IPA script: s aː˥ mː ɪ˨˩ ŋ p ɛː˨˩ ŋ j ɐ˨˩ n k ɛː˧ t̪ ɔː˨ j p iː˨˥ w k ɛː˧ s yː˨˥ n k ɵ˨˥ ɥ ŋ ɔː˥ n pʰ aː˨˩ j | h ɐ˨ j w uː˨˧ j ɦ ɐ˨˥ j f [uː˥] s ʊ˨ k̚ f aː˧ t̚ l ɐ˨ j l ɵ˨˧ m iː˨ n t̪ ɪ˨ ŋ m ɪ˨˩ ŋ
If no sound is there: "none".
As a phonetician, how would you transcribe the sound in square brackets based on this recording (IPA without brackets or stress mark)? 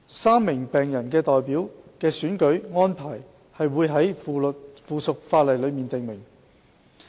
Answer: uː˨˧